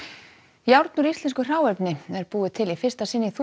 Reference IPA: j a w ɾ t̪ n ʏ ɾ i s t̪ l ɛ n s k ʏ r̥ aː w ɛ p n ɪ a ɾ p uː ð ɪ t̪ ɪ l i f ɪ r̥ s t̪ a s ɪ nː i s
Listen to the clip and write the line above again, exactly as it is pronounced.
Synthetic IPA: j a w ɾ t̪ n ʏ ɾ i s t̪ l ɛ n s k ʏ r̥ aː w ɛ p n ɪ ɛ ɾ p uː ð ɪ t̪ʰ ɪ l i f ɪ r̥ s t̪ a s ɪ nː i θ